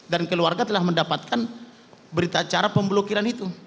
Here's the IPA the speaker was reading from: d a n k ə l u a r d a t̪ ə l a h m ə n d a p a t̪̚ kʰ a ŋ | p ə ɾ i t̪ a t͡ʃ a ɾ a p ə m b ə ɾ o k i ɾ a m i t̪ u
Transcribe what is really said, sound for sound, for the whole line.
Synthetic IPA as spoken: d a n k ə l u a r ɡ a t̪ ə l a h m ə n d a p a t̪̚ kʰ a n | b ə ɾ i t̪ a t͡ʃ a ɾ a p ə m b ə l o k i ɾ a n i t̪ u